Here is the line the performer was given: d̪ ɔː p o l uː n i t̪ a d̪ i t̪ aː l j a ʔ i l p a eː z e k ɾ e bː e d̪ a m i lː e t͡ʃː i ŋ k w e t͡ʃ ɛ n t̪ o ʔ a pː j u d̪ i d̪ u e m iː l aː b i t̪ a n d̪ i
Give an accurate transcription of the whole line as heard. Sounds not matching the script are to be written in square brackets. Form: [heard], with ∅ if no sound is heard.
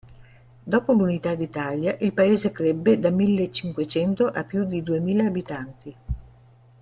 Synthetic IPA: d̪ ɔː p o l [u] n i t̪ a d̪ i t̪ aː l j a ʔ i l p a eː z e k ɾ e bː e d̪ a m i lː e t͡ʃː i ŋ k w e t͡ʃ ɛ n t̪ o ʔ a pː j u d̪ i d̪ u e m iː l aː b i t̪ a n [t̪] i